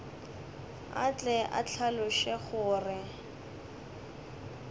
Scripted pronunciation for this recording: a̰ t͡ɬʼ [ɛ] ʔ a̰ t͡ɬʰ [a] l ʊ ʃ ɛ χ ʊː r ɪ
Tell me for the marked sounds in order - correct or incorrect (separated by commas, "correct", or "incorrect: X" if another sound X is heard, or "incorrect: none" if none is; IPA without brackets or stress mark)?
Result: correct, correct